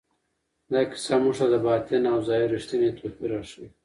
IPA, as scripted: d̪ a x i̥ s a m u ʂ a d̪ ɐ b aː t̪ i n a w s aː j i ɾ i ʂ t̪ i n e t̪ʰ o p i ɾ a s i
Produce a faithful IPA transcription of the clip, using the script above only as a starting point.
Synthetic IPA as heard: d̪ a k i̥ s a m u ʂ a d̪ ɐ b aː t̪ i n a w z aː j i ɾ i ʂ t̪ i n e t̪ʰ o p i ɾ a ʂ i

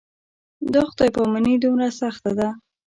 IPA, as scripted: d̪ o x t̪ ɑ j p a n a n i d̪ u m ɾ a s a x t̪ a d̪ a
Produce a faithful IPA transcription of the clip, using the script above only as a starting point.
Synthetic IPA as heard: d̪ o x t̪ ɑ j p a m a n i d̪ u m ɾ a s a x t̪ a d̪ a

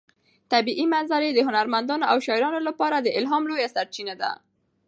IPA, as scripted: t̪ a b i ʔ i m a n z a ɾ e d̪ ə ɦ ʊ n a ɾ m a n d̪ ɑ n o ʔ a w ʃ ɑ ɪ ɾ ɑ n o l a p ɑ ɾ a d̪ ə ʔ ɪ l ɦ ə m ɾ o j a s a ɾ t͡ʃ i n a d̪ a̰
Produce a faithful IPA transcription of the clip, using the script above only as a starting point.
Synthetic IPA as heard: t̪ a b i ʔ i m a n z a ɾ e d̪ ə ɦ ʊ n a ɾ m a n d̪ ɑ n o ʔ a w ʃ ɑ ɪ ɾ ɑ n o l a p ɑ ɾ a d̪ ə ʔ ɪ l ɦ ɑ m l o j a s a ɾ t͡ʃ i n a d̪ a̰

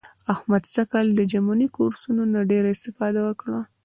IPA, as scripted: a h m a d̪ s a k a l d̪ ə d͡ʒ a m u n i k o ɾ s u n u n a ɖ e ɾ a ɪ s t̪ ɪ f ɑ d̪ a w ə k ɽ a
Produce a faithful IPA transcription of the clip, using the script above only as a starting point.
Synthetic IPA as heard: a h m a d̪ ʃ a k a l d̪ ə d͡ʒ a m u n i k o ɾ s u n o n a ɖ e ɾ a ɪ s t̪ ɪ f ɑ d̪ a w ə k ɽ a

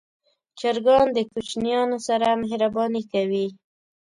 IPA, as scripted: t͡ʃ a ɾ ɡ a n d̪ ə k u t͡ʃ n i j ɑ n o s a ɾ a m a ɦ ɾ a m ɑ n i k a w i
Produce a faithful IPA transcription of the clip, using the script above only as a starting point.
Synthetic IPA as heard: t͡ʃ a ɾ ɡ ɑ n d̪ ə k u t͡ʃ n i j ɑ n o s a ɾ a m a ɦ ɾ a b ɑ n i k a w i

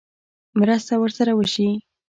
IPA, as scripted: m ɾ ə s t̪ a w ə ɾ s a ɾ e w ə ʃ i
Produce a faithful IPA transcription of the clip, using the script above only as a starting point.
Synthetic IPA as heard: m ɾ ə s t̪ a w ə ɾ s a ɾ a w ə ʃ i

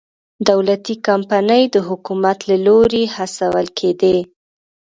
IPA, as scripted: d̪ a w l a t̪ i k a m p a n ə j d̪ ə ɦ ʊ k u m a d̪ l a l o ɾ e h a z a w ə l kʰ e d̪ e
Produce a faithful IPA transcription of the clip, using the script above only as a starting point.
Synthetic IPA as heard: d̪ a w l a t̪ i k a m p a n ə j d̪ ə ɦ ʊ k u m a t̪ l a l o ɾ e h a s a w ə l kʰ e d̪ e

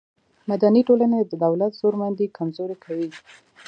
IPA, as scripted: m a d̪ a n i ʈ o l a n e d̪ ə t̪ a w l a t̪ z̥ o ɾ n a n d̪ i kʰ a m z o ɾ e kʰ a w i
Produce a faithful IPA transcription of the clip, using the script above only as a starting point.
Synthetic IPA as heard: m a d̪ a n i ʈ o l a n e d̪ ə d̪ a w l a t̪ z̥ o ɾ m a n d̪ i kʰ a m z o ɾ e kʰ a w i

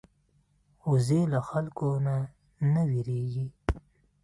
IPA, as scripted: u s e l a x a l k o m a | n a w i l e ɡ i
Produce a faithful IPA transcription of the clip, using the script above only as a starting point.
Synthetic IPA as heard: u z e l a x a l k o n a | n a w i ɾ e ɡ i

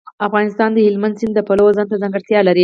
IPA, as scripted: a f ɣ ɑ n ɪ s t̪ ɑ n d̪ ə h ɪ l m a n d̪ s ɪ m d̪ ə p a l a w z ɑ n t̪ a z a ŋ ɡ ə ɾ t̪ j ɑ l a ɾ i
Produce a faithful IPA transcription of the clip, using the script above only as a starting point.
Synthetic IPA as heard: a f ɣ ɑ n ɪ s t̪ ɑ n d̪ ə h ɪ l m a n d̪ s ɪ n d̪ ə p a l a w z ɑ n t̪ a z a ŋ ɡ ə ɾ t̪ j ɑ l a ɾ i

